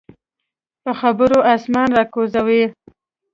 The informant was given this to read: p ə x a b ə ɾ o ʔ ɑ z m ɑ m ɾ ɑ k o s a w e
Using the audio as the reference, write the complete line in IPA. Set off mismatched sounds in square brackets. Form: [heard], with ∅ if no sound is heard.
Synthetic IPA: p ə x a b ə ɾ o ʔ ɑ [s] m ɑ [n] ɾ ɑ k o [z] a w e